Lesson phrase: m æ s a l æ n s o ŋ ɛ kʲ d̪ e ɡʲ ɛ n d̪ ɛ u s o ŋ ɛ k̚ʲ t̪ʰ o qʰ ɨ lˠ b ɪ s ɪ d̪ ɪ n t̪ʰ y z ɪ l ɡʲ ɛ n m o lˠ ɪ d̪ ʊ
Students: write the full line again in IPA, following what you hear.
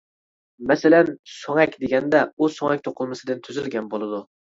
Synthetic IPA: m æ s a l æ n s o ŋ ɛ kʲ d̪ e ɡʲ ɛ n d̪ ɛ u s o ŋ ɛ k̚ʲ t̪ʰ o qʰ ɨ lˠ m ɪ s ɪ d̪ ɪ n t̪ʰ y z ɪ l ɡʲ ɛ n b o lˠ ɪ d̪ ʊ